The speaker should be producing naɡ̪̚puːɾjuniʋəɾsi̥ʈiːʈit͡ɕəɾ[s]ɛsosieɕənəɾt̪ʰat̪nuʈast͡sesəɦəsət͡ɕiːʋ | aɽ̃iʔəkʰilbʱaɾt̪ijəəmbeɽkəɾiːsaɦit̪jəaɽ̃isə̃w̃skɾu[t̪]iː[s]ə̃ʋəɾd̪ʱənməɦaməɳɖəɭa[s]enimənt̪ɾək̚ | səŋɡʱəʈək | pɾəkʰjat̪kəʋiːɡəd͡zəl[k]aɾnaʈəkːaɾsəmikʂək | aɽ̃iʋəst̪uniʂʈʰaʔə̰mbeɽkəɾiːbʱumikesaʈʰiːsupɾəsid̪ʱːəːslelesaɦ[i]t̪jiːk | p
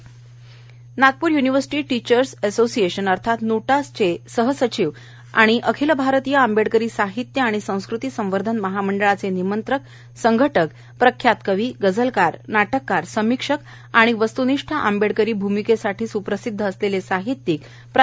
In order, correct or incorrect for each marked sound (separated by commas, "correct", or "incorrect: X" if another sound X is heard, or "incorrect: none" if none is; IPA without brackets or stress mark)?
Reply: correct, correct, correct, incorrect: t͡s, correct, correct